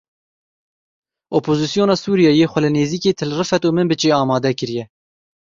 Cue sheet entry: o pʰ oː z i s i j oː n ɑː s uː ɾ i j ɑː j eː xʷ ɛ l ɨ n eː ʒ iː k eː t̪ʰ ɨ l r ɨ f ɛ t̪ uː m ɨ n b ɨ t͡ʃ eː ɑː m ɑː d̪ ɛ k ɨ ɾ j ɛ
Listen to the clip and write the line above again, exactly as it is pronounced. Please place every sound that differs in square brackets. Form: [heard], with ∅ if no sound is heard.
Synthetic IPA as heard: o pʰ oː z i s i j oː n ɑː s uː ɾ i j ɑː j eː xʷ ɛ l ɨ n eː [z] iː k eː t̪ʰ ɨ l r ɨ f ɛ t̪ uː m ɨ n b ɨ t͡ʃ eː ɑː m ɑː d̪ ɛ k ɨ ɾ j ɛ